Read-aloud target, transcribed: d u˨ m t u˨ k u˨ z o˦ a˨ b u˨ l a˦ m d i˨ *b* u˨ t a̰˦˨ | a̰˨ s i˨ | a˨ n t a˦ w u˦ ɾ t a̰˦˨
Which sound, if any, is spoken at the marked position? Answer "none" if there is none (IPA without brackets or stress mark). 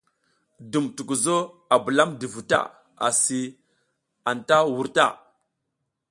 v